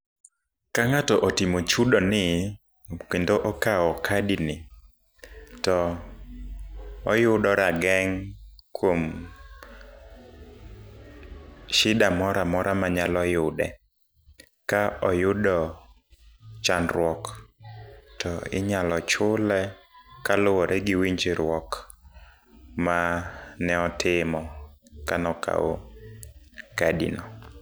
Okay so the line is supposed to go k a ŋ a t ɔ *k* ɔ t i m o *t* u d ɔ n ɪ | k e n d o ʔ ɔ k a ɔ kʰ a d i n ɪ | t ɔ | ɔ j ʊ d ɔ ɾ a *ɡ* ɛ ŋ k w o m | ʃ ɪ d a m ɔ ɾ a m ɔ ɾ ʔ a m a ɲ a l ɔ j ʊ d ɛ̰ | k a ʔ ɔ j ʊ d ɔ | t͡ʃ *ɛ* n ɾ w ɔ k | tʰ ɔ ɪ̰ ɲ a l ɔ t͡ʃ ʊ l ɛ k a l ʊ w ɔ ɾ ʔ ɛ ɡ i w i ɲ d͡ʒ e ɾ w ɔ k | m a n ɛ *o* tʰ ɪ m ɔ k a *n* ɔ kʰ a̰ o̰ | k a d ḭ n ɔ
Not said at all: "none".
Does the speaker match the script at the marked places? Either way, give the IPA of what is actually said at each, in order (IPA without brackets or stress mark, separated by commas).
ʔ, t͡ʃ, ɡ, a, ɔ, n